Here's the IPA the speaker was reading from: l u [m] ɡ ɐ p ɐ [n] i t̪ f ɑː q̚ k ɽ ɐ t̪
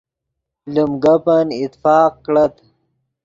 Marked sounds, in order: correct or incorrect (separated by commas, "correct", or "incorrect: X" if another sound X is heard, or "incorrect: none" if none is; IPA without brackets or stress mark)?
correct, correct